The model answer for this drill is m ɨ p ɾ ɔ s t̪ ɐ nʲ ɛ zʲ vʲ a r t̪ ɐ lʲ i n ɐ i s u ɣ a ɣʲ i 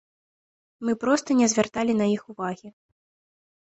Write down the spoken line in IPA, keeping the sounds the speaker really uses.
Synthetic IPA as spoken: m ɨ p ɾ ɔ s t̪ ɐ nʲ ɛ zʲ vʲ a r t̪ a lʲ i n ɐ i x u v a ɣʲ i